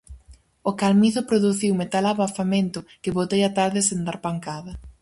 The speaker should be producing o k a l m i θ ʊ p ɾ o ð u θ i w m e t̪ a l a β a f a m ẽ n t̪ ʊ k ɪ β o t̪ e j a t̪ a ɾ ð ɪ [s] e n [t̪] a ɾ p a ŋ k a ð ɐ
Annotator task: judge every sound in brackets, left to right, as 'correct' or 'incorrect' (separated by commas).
correct, incorrect